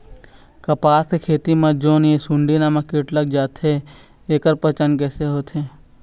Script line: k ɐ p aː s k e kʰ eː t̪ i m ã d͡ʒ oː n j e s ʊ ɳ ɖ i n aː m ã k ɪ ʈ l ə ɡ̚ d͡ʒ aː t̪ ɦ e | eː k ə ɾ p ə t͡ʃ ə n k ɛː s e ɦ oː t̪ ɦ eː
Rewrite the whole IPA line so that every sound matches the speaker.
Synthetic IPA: k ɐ p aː s k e kʰ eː t̪ i m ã d͡ʒ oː n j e s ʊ ɳ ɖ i n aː m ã k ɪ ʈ l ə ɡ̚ d͡ʒ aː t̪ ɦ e | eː k ə ɾ p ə t͡ʃ ə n k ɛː s e ɦ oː t̪ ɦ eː